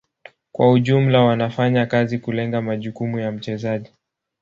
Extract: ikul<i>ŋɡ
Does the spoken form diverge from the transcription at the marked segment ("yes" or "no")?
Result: yes